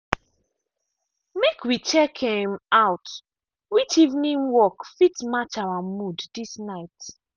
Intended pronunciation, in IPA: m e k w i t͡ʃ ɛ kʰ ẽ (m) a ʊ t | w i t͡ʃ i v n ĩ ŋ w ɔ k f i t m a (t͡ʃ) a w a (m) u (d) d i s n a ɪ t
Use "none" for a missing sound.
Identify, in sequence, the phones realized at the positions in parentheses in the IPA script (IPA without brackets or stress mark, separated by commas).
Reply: m, t͡ʃ, m, d